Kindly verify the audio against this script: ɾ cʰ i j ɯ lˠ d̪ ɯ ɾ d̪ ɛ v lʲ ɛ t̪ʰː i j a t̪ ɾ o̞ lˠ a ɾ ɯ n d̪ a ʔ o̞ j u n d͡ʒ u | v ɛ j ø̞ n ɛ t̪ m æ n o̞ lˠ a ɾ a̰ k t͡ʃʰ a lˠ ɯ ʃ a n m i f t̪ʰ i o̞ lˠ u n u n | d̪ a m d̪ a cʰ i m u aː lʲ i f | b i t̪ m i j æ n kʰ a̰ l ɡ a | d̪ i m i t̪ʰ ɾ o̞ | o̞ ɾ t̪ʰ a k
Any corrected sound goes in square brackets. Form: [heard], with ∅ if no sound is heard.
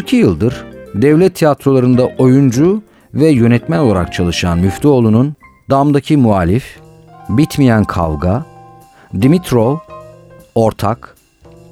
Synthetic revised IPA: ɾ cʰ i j ɯ lˠ d̪ ɯ ɾ d̪ ɛ v lʲ ɛ t̪ʰː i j a t̪ ɾ o̞ lˠ a ɾ ɯ n d̪ a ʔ o̞ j u n d͡ʒ u | v ɛ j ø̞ n ɛ t̪ m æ n o̞ lˠ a ɾ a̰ k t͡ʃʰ a lˠ ɯ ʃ a n m [y] f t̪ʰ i o̞ lˠ u n u n | d̪ a m d̪ a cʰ i m u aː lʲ i f | b i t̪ m i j æ n kʰ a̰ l ɡ a | d̪ i m i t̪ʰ ɾ o̞ | o̞ ɾ t̪ʰ a k